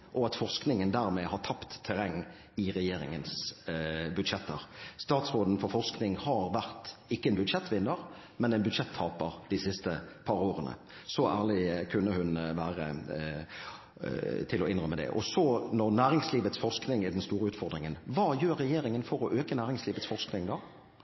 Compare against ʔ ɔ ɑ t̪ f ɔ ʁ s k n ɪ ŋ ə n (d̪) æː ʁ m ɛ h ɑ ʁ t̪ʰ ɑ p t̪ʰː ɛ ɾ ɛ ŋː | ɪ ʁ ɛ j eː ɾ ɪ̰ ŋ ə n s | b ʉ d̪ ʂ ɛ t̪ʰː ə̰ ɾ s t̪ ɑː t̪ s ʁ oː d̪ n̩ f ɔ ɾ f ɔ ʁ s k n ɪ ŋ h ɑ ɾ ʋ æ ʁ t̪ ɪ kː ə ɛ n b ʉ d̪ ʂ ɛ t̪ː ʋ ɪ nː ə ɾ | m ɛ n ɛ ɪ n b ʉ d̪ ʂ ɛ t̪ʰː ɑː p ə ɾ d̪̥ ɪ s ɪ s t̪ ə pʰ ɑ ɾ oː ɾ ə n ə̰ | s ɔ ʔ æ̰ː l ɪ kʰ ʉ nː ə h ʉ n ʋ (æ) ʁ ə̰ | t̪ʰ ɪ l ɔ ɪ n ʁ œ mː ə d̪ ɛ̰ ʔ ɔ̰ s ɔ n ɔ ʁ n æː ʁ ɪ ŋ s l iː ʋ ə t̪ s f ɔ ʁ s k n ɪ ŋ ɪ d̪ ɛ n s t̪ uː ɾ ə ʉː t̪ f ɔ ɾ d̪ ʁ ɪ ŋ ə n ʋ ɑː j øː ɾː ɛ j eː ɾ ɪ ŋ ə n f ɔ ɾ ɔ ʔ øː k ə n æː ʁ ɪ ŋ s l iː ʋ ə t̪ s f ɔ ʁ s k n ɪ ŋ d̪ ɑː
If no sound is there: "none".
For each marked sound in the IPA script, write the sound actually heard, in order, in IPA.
d̪, æː

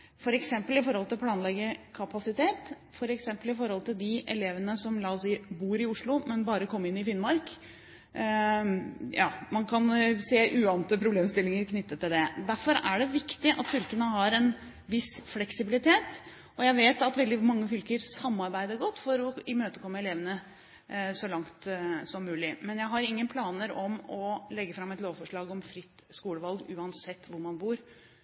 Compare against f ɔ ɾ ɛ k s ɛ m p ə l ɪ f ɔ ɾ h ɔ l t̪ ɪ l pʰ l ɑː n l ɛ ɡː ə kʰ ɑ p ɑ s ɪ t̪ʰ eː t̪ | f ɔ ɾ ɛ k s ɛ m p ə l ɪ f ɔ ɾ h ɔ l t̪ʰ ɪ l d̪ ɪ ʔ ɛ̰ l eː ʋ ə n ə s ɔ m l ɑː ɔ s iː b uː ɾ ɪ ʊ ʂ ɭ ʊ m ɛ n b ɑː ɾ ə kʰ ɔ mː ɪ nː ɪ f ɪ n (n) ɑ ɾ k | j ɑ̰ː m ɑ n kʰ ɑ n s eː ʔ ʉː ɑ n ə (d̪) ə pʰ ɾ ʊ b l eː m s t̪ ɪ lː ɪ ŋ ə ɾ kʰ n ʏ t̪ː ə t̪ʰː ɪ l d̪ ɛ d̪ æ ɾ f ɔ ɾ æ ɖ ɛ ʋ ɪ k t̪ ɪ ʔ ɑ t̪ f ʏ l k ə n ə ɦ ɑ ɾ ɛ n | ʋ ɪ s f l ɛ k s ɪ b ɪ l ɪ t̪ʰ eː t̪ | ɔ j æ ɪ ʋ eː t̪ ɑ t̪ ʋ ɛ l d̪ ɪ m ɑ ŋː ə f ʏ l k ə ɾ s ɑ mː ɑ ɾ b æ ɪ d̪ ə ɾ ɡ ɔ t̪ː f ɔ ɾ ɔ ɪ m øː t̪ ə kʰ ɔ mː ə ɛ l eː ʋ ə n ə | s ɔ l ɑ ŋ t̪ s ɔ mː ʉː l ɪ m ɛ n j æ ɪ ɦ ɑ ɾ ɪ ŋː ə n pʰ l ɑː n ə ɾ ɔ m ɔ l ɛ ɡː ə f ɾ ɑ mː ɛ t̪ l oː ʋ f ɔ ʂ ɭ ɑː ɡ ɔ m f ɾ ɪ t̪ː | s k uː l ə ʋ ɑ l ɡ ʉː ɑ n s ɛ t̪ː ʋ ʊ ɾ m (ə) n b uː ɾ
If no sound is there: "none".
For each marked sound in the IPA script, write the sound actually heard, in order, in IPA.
m, t̪, ɑ

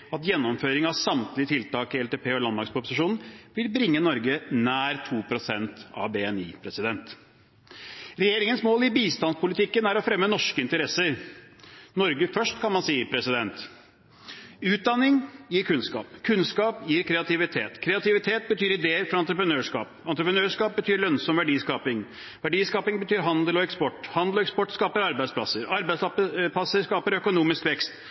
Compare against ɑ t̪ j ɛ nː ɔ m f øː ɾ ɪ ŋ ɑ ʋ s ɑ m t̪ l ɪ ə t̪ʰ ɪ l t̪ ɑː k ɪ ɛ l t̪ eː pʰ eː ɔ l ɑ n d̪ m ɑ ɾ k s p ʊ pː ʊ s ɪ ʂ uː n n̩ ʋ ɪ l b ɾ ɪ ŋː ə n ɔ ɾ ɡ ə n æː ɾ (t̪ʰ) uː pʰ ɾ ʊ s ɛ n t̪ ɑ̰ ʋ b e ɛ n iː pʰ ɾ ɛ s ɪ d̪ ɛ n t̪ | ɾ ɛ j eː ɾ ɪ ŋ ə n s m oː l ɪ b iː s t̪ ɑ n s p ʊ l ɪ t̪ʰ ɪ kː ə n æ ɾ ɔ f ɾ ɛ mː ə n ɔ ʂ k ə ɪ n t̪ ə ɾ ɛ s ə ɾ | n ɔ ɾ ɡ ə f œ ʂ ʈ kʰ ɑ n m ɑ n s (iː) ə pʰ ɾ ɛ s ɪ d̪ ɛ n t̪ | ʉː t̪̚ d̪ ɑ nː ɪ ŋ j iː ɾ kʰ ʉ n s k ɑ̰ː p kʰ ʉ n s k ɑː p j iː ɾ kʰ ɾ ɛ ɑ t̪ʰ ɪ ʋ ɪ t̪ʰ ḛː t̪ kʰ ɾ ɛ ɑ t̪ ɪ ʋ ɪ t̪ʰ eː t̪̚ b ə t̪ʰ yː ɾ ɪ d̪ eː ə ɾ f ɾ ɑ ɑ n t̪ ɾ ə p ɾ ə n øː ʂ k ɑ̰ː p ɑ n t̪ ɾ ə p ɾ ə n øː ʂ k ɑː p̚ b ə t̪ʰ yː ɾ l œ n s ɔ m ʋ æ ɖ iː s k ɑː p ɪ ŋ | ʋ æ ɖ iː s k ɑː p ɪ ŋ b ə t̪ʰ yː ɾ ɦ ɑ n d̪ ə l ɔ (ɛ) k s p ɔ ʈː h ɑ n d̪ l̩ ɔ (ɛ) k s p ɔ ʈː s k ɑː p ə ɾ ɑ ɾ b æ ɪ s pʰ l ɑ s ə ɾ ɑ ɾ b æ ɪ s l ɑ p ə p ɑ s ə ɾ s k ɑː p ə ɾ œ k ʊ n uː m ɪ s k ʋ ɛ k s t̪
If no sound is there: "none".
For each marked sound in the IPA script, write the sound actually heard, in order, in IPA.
t̪ʰ, iː, ɛ, ɛ

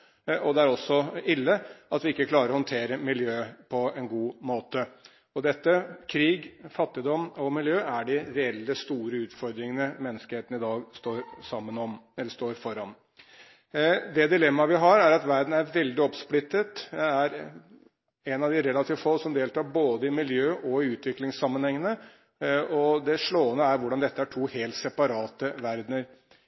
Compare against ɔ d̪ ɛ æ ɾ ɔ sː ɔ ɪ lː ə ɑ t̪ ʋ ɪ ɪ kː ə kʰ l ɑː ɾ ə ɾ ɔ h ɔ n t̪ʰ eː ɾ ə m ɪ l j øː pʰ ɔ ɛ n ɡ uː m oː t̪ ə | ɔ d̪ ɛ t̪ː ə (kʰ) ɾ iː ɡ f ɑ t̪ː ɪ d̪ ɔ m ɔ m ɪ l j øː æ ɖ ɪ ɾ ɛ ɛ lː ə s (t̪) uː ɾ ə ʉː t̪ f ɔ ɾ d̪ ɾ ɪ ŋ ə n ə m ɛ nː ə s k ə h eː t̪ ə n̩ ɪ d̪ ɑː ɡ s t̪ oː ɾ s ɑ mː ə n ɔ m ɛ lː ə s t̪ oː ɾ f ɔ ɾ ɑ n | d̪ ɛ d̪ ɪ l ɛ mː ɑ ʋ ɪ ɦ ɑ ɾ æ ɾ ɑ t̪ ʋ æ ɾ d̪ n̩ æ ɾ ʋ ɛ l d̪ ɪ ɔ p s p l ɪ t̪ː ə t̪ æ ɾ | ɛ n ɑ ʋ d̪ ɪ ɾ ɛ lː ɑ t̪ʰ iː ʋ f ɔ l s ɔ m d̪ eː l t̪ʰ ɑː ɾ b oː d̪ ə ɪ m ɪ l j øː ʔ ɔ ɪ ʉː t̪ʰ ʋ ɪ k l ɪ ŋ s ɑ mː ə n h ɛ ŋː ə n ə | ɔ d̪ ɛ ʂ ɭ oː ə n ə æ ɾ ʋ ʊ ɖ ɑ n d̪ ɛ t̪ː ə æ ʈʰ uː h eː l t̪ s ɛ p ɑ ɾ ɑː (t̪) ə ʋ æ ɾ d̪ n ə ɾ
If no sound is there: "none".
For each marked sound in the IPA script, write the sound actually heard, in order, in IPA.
kʰ, t̪, t̪

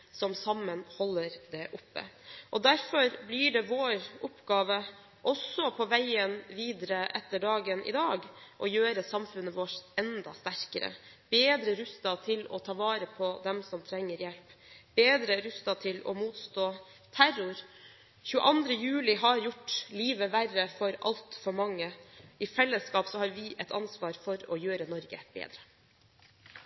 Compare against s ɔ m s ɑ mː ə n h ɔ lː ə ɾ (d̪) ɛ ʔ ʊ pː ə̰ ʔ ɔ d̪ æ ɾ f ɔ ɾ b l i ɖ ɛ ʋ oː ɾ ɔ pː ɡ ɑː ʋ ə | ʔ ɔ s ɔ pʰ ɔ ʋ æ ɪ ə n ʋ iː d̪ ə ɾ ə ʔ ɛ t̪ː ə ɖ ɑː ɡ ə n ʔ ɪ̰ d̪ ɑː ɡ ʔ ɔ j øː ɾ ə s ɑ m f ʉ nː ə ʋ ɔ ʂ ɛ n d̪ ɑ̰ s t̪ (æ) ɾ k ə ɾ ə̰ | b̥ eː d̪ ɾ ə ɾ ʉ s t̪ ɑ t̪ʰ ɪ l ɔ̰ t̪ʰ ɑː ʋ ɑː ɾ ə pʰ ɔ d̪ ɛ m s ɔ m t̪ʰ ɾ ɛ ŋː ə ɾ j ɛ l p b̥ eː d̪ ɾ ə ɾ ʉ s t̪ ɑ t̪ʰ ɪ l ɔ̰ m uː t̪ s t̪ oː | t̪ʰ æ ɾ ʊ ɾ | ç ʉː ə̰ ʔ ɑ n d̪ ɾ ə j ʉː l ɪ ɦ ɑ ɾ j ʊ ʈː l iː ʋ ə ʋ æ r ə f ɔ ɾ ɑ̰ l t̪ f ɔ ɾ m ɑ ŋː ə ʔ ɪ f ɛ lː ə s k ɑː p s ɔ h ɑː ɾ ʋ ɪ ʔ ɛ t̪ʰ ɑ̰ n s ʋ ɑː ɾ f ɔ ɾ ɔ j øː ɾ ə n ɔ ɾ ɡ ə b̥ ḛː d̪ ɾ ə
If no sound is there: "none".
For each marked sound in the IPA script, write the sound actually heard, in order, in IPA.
d̪, æ

